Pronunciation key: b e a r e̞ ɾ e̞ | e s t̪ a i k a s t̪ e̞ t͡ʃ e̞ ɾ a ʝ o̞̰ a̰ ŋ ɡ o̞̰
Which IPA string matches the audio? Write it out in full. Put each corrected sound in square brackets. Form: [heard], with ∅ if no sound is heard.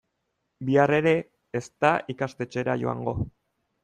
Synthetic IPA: b [i] a r e̞ ɾ e̞ | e s t̪ a i k a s t̪ e̞ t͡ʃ e̞ ɾ a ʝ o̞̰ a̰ ŋ ɡ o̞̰